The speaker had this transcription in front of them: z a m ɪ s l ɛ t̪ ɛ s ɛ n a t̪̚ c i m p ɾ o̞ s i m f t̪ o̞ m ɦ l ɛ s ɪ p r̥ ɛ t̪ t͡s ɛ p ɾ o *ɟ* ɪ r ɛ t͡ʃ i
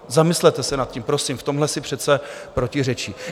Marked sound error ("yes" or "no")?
yes